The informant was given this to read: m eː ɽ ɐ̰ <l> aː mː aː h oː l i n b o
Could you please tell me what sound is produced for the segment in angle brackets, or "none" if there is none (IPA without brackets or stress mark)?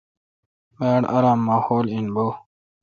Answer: ɾ